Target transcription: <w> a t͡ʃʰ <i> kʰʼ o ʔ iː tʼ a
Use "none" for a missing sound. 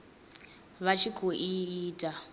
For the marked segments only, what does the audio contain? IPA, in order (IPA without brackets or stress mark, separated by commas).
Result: β, i